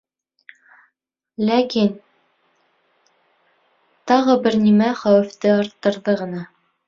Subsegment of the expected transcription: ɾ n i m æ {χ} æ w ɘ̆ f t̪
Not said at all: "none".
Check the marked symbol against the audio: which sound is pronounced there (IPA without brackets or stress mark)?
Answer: χ